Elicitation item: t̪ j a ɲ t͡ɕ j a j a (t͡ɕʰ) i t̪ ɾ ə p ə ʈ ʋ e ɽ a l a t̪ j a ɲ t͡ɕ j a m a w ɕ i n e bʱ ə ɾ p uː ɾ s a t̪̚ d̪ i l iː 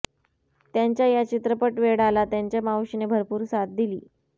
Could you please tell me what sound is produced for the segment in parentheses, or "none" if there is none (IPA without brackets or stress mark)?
t͡ɕ